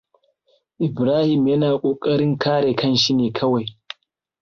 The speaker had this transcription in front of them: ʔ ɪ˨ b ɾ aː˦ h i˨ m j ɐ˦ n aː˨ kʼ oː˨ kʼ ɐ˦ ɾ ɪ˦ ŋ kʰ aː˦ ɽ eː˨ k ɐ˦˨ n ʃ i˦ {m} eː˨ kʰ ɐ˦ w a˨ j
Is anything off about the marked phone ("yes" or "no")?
yes